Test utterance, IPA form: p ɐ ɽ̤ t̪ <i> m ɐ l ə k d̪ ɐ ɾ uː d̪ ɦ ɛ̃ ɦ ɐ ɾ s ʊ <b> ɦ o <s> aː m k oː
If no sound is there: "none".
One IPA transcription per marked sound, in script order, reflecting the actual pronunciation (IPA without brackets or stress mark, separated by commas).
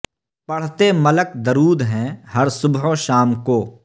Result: e, b, ʃ